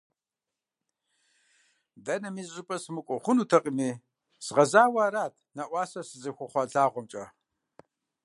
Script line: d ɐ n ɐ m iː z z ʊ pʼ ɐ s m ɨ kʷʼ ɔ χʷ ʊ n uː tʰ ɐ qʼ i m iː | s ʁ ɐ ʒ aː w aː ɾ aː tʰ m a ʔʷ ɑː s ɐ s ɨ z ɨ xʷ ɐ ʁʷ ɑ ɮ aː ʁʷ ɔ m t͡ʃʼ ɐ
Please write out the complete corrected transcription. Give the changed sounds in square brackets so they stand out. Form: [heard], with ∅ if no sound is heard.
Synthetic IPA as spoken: d ɐ n ɐ m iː z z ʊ pʼ ɐ s m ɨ kʷʼ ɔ χʷ ʊ n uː tʰ ɐ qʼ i m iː | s ʁ ɐ [z] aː w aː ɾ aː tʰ [n] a ʔʷ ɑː s ɐ s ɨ z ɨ xʷ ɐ [χʷ] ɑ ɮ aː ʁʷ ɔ m t͡ʃʼ ɐ